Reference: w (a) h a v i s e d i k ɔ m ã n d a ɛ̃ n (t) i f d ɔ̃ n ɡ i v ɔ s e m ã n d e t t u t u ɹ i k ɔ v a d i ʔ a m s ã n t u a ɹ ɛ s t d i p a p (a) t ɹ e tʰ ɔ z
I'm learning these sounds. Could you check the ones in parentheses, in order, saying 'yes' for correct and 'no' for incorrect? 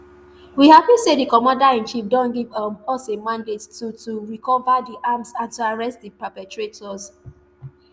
no, no, no

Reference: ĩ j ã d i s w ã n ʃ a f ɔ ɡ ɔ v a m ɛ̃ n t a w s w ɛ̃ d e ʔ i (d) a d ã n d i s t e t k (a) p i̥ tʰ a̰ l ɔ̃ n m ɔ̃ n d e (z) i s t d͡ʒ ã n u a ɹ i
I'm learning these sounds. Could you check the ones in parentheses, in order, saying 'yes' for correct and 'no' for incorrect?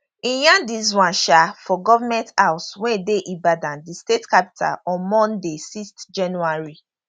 no, yes, no

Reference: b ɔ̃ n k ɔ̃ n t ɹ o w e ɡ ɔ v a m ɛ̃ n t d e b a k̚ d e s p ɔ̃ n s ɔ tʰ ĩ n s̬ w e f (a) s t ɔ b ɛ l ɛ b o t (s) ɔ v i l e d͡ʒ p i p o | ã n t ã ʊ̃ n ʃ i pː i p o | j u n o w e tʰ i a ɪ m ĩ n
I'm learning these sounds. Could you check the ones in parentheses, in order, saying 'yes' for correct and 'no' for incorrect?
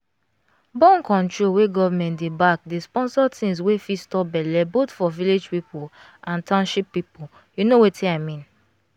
no, no

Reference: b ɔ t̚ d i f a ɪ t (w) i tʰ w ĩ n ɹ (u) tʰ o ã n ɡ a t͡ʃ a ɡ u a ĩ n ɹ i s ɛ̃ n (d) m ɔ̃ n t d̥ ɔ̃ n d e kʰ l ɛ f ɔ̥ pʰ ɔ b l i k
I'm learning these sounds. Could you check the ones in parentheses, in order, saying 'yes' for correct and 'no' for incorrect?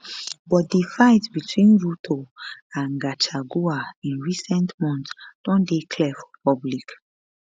no, yes, no

